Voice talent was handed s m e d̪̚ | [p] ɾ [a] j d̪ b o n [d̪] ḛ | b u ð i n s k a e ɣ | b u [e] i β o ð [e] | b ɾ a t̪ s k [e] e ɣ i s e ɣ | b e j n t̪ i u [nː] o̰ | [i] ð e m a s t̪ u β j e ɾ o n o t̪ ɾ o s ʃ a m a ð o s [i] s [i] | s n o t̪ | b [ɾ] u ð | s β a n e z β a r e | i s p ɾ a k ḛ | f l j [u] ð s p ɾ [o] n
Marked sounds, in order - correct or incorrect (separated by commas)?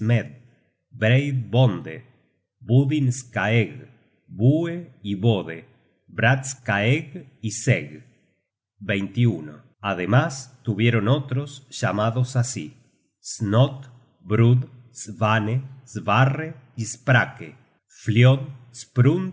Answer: incorrect, incorrect, correct, correct, correct, incorrect, incorrect, incorrect, incorrect, correct, correct, incorrect, incorrect